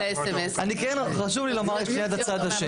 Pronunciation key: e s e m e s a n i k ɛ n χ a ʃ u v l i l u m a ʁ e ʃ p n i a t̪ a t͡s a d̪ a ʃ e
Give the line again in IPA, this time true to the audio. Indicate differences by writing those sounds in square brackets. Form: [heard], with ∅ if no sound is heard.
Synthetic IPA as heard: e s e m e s a n i k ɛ n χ a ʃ u v l i l [o] m a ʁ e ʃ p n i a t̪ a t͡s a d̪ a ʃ e